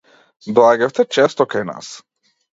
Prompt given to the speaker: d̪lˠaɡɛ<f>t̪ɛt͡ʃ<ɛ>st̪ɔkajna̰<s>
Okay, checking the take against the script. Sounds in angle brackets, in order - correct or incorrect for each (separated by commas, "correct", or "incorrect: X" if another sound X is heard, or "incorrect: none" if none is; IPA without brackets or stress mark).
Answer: correct, correct, correct